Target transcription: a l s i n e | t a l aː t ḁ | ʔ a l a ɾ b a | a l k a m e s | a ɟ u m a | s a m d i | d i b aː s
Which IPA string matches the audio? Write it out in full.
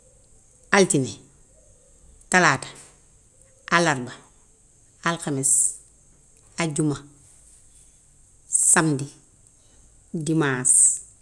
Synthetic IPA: a l t i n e | t a l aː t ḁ | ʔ a l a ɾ b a | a l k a m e s | a ɟ u m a | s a m d i | d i m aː s